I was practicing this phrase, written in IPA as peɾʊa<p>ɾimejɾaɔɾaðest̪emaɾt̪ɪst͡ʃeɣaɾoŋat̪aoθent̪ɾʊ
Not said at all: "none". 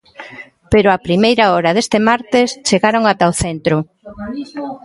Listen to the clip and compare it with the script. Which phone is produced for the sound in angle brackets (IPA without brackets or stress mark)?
p